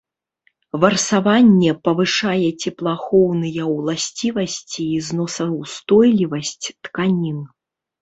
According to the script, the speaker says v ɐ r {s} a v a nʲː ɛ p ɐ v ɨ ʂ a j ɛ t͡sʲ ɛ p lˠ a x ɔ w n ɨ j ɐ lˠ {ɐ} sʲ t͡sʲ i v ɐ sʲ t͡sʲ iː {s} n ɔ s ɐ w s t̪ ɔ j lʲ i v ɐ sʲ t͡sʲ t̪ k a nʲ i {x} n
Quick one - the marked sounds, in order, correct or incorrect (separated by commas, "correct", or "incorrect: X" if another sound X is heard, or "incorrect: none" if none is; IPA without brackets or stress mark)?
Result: correct, incorrect: a, incorrect: z, incorrect: none